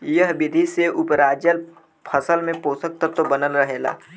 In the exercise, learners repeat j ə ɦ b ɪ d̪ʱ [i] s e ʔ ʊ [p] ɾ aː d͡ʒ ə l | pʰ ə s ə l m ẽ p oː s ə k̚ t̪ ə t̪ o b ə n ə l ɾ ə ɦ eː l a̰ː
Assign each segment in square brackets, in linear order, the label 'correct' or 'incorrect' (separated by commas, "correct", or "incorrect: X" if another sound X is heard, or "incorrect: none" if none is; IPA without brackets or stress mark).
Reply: correct, correct